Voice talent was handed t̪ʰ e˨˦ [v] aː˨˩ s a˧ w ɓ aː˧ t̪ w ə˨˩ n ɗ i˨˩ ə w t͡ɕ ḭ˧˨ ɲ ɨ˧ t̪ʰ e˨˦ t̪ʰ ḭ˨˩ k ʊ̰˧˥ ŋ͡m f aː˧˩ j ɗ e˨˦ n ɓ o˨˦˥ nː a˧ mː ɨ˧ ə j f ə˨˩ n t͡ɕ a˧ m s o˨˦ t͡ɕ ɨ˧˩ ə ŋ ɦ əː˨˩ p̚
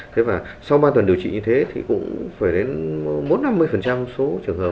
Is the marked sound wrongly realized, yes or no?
no